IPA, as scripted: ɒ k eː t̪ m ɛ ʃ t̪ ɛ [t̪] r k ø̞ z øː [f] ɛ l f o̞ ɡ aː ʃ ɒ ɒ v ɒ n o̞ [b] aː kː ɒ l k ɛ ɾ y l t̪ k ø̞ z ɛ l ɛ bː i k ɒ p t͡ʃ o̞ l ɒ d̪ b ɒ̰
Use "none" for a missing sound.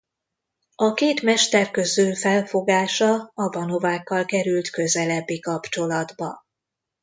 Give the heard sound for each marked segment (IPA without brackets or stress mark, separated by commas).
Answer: none, f, v